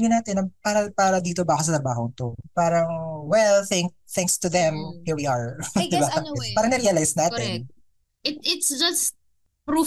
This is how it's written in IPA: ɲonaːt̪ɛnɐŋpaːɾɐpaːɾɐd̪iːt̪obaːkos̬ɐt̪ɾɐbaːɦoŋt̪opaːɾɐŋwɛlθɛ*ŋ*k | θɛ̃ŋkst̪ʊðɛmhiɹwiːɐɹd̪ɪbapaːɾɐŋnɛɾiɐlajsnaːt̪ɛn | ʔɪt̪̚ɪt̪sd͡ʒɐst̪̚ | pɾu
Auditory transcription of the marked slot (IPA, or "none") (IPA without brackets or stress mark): ŋ